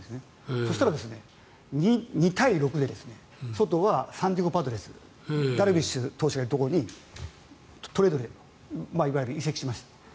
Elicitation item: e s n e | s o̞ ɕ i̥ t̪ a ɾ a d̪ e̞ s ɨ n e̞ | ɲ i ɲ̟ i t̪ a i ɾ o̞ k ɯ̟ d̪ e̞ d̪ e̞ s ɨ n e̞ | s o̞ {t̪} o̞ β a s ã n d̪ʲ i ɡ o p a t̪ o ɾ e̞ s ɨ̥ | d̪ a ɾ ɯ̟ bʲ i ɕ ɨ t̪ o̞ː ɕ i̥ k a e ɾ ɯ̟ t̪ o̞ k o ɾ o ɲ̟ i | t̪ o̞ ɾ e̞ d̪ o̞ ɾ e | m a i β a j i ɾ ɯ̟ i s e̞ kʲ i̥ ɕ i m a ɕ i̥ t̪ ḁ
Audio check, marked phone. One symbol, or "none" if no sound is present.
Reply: t̪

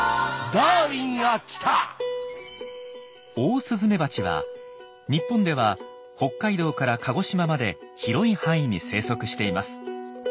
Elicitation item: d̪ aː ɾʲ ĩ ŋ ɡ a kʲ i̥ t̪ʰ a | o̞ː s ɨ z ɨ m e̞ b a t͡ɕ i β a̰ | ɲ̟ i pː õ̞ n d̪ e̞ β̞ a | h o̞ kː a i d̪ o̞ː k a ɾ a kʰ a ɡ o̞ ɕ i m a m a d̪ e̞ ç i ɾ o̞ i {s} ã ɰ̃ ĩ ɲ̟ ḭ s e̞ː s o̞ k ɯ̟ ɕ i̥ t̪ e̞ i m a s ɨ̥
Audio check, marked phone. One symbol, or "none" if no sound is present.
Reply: h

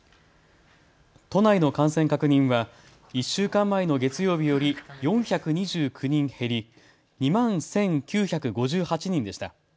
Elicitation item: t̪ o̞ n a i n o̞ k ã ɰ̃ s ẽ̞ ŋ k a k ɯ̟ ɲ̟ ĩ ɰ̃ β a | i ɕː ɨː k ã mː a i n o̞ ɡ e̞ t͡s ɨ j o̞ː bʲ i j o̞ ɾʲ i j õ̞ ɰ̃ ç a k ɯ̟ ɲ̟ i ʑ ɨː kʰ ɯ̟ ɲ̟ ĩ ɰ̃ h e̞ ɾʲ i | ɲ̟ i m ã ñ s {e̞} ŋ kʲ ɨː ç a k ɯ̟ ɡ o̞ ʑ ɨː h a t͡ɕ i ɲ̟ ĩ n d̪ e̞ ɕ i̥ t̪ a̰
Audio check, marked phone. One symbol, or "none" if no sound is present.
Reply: ẽ̞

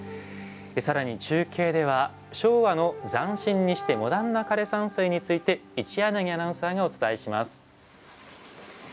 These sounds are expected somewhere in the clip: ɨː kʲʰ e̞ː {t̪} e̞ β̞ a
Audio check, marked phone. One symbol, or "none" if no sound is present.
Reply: d̪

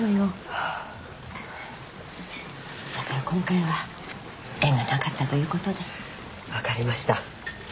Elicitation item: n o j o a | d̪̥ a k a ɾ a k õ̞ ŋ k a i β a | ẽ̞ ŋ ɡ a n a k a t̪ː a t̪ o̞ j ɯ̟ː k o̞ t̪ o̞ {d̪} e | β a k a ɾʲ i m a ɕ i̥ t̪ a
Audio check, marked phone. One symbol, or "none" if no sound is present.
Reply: d̪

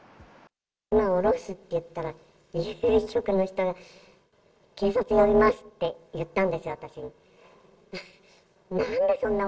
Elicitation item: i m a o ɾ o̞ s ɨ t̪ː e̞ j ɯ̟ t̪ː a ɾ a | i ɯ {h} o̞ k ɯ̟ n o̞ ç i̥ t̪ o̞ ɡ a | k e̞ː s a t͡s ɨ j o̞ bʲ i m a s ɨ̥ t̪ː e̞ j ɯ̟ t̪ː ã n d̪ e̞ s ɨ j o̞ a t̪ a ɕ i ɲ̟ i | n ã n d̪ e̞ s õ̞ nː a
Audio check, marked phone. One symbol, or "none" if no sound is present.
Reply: ɕ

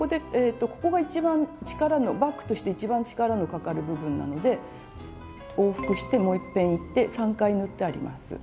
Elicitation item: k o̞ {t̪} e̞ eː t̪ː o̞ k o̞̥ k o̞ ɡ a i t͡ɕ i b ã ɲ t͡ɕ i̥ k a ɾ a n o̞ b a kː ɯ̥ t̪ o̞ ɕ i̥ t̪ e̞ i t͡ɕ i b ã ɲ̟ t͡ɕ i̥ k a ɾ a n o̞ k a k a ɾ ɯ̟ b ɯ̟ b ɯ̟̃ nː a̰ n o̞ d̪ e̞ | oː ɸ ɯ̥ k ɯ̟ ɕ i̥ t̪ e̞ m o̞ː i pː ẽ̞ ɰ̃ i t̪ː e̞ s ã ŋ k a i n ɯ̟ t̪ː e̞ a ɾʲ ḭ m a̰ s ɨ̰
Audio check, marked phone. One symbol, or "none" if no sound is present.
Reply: d̪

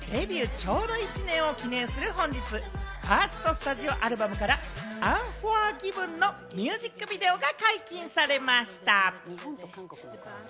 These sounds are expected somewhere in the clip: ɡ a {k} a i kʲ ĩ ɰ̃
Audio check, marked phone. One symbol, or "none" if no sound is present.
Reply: k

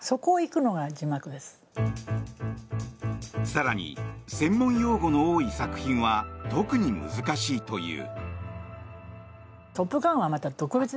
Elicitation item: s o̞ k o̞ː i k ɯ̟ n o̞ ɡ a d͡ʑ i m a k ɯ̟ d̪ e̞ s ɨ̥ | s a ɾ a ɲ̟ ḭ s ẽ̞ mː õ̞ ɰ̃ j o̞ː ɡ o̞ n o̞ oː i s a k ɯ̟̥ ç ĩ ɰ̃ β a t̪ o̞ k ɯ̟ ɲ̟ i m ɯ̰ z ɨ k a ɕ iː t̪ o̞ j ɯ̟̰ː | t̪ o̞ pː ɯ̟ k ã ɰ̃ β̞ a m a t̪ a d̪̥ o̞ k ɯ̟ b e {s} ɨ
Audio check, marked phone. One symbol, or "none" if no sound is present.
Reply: t͡s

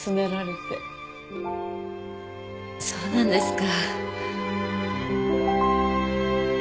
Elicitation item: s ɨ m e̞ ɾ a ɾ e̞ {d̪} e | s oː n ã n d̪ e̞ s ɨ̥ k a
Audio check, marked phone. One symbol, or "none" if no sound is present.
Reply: t̪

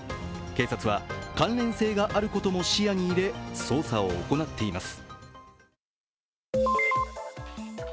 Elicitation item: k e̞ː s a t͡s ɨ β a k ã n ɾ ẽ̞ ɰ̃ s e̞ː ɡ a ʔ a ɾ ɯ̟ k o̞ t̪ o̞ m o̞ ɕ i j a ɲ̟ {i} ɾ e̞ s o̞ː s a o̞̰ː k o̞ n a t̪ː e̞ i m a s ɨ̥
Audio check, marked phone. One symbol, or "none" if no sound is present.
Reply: iː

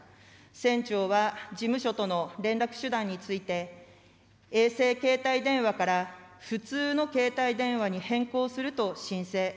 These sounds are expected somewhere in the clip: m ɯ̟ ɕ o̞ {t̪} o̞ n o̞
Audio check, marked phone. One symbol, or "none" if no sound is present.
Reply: t̪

